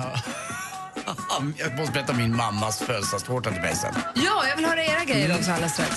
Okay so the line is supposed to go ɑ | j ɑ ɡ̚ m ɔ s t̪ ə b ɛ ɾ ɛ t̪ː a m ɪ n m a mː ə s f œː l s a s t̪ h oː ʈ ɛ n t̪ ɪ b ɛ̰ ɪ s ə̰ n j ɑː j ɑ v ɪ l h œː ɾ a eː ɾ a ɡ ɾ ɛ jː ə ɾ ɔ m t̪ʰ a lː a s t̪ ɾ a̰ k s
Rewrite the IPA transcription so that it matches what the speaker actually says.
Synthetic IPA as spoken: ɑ | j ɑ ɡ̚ m ɔ s t̪ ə b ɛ ɾ ɛ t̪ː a m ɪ n m a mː a s f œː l s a s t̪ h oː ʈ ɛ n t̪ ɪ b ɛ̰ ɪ s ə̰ n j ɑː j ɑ v ɪ l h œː ɾ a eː ɾ a ɡ ɾ ɛ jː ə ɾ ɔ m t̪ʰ a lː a s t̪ ɾ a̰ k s